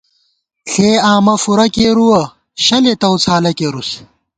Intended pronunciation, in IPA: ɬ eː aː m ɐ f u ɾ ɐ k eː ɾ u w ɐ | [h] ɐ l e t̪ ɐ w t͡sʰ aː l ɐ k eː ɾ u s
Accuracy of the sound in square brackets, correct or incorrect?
incorrect